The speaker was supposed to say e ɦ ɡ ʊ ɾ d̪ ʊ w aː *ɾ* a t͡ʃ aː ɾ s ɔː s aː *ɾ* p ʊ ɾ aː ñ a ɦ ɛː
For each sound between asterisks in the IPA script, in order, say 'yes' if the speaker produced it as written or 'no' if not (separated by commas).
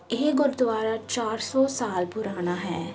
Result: yes, no